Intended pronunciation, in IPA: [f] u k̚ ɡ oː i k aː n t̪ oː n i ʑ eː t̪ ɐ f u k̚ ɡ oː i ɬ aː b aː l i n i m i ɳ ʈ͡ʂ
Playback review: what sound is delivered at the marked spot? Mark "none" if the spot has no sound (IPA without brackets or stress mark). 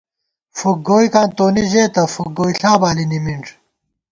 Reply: f